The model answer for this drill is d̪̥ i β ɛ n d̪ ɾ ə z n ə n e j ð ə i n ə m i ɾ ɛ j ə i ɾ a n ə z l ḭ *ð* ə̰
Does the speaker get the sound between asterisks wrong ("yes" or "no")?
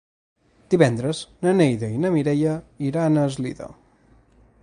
no